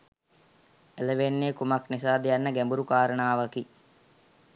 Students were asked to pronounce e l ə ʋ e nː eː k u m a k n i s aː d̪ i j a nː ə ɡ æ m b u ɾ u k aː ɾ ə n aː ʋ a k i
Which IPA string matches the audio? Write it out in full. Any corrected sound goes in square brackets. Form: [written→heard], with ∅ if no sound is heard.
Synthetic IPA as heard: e l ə ʋ e nː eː k u m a k n i s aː d̪ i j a nː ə ɡ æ m b u ɾ u k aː ɾ ə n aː ʋ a k i